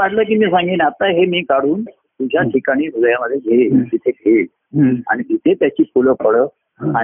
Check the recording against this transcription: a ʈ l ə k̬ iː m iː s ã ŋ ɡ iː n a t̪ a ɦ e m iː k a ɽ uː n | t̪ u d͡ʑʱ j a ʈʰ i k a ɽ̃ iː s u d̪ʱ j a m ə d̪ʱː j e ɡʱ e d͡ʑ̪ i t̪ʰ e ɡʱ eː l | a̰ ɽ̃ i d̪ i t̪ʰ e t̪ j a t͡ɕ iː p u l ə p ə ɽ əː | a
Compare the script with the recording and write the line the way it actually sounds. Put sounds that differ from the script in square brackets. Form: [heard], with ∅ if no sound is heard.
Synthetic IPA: a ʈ l ə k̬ iː m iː s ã ŋ ɡ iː n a t̪ a ɦ e m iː k a ɽ uː n | t̪ u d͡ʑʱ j a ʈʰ i k a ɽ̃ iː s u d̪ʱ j a m ə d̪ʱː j e ɡʱ e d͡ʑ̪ i t̪ʰ e ɡʱ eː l | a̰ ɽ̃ i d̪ i t̪ʰ e t̪ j a t͡ɕ iː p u l ə p ə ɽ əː | a